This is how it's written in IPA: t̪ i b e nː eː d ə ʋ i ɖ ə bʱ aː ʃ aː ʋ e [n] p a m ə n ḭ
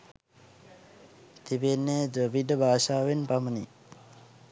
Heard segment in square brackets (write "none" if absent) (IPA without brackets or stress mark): n